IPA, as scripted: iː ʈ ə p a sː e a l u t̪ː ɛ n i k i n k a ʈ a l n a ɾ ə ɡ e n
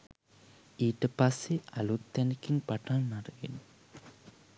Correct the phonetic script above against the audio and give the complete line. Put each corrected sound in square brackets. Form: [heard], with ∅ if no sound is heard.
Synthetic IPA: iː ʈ ə p a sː e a l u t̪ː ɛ n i k i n [p] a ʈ a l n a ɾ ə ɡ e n